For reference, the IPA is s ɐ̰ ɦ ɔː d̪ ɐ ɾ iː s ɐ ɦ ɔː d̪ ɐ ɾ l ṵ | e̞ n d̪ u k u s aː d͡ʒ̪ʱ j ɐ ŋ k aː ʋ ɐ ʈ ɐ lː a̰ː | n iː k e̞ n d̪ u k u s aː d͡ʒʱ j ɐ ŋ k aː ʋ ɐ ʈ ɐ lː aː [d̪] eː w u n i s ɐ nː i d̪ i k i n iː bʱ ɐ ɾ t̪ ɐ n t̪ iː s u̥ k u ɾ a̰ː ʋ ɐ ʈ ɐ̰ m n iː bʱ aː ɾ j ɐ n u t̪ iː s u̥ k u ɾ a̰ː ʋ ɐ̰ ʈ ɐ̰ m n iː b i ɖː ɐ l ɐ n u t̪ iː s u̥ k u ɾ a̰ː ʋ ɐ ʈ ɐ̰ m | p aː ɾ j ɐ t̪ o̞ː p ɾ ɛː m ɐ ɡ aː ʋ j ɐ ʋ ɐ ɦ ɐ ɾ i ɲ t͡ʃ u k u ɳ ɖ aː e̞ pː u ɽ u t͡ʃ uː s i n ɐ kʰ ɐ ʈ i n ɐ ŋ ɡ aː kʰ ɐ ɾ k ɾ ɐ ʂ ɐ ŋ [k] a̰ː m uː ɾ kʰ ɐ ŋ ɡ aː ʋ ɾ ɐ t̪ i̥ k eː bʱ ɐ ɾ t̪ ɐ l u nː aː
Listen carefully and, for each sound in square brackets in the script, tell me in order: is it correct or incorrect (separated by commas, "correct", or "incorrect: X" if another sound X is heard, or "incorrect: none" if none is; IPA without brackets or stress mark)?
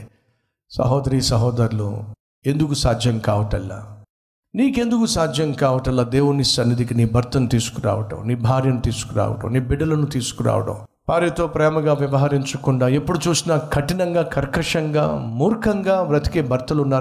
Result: correct, incorrect: ɡ